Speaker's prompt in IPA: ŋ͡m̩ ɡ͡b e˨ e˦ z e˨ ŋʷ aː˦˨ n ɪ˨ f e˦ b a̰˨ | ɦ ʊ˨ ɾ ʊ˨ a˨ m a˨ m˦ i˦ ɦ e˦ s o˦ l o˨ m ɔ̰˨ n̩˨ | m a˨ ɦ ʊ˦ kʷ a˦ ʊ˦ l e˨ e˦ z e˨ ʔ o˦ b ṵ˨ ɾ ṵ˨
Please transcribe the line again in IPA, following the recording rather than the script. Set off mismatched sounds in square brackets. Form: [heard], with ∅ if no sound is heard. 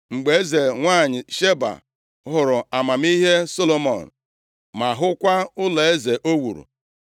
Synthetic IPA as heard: ŋ͡m̩ ɡ͡b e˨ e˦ z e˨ ŋʷ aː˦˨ [ɲ] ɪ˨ [ʃ] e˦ b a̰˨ | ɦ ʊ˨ ɾ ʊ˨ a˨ m a˨ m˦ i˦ ɦ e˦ s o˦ l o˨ m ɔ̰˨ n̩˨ | m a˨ ɦ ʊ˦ kʷ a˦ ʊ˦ l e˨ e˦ z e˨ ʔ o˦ [w] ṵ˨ ɾ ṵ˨